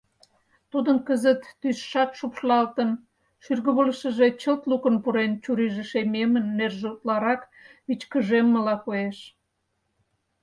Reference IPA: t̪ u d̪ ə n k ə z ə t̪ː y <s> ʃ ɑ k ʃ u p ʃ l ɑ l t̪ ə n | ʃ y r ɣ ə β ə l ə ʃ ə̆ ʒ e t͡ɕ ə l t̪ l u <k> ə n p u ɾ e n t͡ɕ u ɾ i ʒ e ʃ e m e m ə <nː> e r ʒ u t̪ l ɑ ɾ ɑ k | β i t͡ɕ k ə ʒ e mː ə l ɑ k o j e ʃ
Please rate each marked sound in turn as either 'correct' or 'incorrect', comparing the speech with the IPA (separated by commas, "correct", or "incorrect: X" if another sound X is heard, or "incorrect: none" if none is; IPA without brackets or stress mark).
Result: correct, correct, correct